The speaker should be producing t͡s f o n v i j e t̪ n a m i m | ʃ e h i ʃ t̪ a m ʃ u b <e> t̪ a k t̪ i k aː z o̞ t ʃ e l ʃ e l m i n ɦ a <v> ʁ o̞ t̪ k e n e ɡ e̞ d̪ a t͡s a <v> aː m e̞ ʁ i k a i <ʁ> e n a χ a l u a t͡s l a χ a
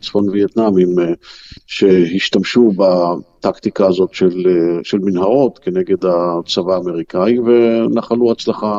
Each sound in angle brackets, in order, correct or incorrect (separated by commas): incorrect, incorrect, correct, incorrect